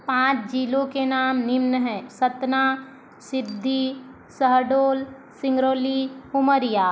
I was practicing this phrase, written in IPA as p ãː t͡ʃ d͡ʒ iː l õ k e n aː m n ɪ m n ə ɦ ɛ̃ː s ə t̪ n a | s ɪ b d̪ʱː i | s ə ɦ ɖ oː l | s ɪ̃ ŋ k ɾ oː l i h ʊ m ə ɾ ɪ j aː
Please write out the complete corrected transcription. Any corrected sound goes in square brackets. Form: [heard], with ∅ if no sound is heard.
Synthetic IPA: p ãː t͡ʃ d͡ʒ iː l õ k e n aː m n ɪ m n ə ɦ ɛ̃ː s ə t̪ n a | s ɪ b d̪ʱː i | s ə ɦ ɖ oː l | s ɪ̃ ŋ [ɡ] ɾ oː l i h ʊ m ə ɾ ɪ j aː